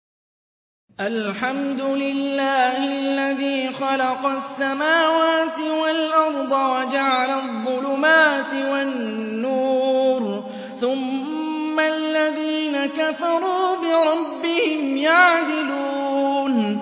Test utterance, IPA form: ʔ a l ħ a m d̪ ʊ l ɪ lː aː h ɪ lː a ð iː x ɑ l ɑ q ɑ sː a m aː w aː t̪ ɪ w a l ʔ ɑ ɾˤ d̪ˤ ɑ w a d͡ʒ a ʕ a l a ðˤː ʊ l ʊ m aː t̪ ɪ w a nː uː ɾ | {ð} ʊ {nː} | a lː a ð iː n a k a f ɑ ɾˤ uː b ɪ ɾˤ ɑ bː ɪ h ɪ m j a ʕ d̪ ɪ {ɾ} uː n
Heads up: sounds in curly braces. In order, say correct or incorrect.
incorrect: θ, incorrect: mː, incorrect: l

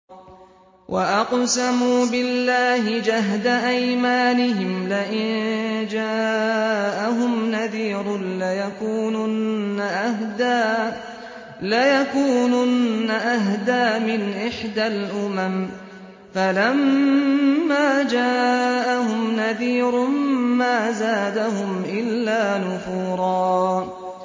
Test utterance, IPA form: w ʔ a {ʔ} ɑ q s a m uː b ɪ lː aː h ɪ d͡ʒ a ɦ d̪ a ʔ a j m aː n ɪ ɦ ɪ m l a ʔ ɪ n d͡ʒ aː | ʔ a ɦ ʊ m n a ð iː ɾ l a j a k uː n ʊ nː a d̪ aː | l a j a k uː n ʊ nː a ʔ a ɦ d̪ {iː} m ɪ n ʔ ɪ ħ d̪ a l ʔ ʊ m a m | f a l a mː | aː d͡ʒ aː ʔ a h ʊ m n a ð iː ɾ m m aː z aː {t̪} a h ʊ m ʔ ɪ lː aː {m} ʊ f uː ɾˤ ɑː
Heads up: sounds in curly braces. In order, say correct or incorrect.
correct, incorrect: aː, incorrect: d̪, incorrect: n

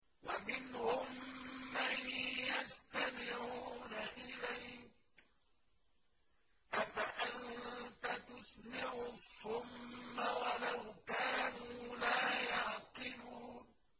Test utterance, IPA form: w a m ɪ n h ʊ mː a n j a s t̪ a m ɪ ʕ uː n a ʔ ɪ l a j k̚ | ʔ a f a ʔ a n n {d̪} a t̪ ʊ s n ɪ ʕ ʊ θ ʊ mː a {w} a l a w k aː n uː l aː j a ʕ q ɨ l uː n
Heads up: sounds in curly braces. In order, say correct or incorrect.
incorrect: t̪, correct

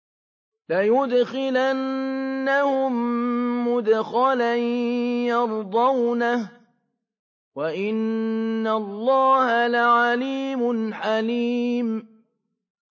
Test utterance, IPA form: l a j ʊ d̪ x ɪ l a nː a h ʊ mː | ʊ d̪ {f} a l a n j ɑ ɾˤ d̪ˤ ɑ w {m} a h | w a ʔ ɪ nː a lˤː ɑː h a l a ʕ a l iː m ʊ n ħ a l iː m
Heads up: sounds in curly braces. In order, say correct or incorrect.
incorrect: x, incorrect: n

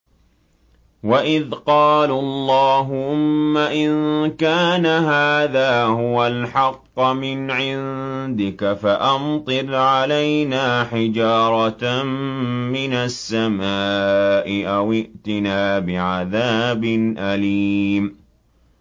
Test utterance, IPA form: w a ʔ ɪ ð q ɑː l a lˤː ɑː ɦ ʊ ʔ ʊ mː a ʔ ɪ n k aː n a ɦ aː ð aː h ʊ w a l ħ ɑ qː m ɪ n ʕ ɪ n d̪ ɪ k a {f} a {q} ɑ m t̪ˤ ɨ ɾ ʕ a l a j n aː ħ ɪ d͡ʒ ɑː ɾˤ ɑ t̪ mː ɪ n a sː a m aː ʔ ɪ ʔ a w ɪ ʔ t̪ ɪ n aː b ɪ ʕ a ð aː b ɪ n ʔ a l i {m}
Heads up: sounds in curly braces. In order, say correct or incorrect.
correct, incorrect: ʔ, correct

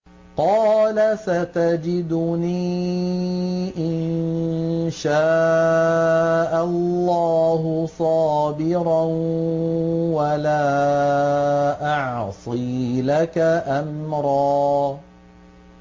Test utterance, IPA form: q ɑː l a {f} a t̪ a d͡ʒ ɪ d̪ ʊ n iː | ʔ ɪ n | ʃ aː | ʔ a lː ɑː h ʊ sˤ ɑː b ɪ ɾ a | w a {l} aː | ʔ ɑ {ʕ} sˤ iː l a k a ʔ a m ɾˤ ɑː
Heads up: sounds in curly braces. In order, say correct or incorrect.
incorrect: s, correct, correct

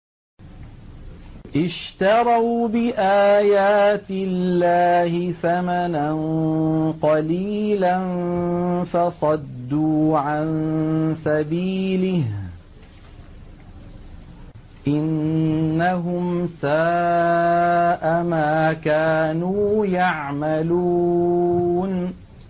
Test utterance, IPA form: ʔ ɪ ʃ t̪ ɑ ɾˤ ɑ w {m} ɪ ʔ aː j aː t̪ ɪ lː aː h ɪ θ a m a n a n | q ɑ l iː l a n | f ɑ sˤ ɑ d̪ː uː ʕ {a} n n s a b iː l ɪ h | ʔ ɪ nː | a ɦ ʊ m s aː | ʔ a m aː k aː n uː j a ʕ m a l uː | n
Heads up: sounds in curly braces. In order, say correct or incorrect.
incorrect: b, correct

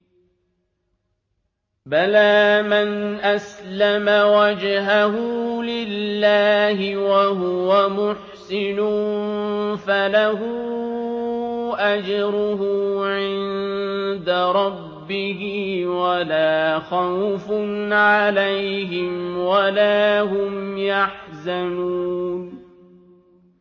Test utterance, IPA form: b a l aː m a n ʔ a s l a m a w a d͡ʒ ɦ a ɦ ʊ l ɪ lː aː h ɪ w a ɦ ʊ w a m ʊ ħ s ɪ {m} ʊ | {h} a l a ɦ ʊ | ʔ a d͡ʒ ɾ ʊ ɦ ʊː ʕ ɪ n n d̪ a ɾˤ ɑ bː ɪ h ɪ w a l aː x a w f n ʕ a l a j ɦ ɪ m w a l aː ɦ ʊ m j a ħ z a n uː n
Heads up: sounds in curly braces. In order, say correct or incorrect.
incorrect: n, incorrect: f

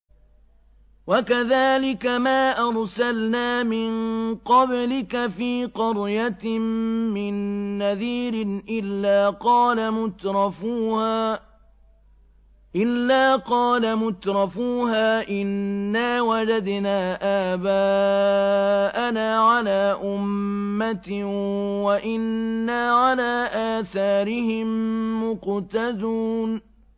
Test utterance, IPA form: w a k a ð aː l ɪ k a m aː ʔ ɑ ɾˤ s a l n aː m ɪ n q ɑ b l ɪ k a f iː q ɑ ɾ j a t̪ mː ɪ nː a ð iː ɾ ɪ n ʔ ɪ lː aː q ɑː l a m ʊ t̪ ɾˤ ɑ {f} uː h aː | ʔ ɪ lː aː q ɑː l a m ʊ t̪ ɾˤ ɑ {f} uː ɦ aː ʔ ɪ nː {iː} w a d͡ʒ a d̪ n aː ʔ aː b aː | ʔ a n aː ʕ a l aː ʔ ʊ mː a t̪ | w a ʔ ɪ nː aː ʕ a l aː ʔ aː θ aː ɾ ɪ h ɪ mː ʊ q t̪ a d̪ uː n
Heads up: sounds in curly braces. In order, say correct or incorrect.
correct, correct, incorrect: aː

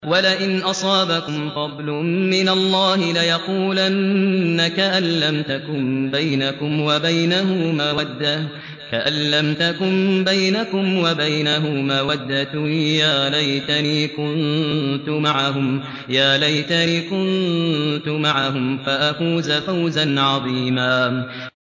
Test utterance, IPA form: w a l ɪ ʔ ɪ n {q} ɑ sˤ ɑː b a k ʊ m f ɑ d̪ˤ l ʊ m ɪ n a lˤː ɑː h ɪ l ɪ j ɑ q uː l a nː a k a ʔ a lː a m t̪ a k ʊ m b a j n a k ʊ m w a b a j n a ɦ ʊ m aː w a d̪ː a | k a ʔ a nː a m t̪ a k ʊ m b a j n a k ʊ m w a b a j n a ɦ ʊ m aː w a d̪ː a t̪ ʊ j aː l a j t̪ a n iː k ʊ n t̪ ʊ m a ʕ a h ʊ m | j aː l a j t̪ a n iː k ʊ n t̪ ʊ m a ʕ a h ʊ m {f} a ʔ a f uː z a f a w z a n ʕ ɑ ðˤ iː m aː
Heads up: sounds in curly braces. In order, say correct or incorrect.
incorrect: ʔ, correct

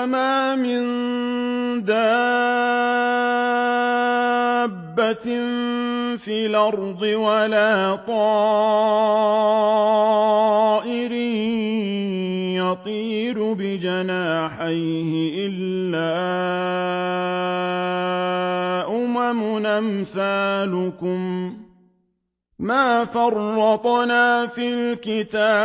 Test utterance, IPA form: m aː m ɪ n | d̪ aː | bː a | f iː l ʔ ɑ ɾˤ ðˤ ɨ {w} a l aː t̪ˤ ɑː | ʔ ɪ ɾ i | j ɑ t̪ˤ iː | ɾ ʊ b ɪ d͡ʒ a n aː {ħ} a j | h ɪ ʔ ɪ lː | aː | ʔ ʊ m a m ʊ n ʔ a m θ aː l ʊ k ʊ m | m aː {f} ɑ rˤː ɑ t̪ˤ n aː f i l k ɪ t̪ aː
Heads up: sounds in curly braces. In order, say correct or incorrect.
correct, correct, correct

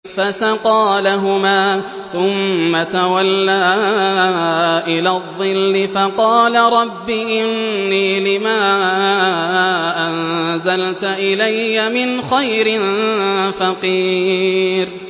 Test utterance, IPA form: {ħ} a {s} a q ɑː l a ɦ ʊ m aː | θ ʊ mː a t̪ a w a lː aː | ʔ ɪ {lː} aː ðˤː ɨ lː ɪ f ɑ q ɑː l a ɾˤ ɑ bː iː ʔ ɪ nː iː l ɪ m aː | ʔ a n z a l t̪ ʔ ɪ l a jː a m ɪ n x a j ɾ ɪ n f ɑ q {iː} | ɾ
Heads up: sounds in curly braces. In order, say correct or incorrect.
incorrect: f, correct, incorrect: l, correct

